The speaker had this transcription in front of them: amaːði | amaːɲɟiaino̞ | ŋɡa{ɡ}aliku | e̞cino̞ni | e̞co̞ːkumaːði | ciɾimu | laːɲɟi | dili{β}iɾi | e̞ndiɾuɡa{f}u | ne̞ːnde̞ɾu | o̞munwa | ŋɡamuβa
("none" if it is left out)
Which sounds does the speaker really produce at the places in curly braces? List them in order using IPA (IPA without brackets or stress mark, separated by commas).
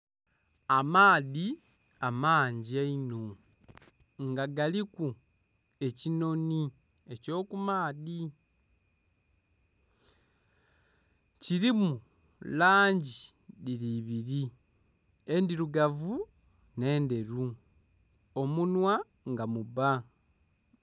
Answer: ɡ, β, v